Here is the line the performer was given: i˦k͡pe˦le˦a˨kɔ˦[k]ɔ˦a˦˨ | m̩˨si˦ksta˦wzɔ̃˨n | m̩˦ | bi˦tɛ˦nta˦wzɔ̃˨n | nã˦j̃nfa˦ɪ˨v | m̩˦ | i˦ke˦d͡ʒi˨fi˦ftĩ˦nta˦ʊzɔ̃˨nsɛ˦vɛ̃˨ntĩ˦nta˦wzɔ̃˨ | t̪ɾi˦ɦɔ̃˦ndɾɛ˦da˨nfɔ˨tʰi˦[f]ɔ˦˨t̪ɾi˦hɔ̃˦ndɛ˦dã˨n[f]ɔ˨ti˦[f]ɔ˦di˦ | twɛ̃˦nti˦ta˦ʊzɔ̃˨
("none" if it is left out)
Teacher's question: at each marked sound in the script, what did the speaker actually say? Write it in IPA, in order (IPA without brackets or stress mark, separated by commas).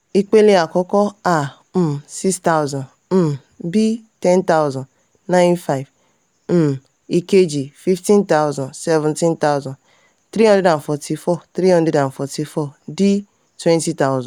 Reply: k, f, f, f